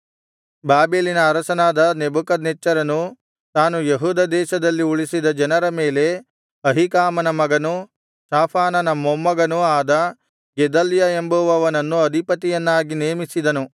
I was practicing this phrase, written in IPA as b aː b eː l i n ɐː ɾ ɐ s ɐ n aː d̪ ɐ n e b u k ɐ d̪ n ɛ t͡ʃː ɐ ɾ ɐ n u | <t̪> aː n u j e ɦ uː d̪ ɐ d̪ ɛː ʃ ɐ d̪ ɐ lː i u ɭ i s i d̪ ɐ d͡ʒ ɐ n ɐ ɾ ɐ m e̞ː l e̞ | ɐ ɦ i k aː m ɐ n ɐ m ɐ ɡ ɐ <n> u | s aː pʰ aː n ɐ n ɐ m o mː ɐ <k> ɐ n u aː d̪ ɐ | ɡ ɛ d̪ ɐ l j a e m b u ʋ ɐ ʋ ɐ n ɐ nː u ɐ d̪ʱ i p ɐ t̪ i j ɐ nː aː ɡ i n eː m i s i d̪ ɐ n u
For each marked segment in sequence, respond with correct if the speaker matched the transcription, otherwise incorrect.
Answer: correct, correct, incorrect: ɡ

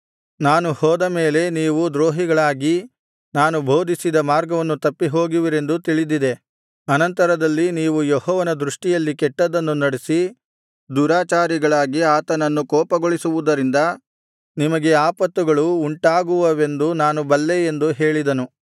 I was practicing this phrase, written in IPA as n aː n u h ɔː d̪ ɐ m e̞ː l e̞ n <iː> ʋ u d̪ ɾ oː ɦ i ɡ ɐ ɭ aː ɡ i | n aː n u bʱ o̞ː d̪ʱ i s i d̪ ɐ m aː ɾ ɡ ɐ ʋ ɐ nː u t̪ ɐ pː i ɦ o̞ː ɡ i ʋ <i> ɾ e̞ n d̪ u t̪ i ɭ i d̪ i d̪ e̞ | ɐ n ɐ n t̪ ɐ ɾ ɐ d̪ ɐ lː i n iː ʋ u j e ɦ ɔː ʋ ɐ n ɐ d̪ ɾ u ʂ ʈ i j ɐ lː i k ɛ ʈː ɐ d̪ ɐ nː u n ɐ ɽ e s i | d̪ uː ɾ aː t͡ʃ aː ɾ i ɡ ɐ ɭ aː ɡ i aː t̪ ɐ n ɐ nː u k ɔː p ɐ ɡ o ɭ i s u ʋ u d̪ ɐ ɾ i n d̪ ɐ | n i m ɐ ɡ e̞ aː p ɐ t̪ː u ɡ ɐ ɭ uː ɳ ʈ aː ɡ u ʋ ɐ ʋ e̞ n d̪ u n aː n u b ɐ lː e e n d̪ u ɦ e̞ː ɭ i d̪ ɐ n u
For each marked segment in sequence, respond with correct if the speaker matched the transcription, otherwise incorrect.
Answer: correct, correct

